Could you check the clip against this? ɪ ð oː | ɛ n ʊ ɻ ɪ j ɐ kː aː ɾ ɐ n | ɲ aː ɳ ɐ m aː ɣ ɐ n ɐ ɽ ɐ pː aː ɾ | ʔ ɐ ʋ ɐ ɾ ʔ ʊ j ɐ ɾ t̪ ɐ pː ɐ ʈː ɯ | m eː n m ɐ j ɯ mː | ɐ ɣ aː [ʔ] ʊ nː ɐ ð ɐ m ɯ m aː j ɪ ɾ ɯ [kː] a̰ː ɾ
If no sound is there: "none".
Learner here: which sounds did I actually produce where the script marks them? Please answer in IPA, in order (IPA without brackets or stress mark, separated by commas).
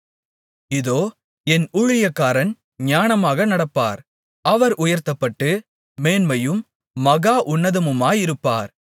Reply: ʔ, pː